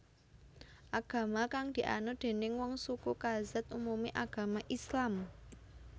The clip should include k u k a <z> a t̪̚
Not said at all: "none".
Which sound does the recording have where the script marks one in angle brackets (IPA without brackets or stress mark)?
z